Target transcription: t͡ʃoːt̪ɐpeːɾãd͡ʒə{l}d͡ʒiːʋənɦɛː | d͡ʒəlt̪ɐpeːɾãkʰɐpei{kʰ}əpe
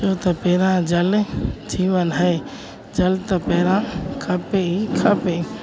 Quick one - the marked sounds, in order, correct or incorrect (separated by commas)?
correct, correct